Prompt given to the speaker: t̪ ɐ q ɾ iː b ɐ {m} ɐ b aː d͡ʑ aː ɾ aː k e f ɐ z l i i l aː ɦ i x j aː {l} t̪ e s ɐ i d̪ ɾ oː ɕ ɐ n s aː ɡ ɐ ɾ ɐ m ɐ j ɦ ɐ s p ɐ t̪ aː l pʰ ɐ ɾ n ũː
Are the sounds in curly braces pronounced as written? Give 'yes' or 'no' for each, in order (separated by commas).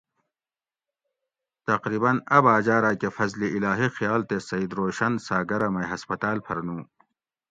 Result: no, yes